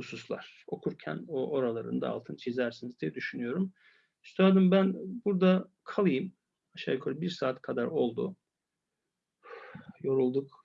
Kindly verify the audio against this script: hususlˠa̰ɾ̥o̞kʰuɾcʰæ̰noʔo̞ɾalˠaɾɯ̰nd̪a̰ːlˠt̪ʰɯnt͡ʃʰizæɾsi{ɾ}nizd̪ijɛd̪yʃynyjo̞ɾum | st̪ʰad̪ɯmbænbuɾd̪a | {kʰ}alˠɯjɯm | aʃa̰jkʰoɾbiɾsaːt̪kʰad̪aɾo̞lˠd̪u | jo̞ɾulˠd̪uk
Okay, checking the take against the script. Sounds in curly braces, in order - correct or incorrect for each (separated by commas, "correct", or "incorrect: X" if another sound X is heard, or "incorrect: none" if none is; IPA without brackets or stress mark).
incorrect: none, correct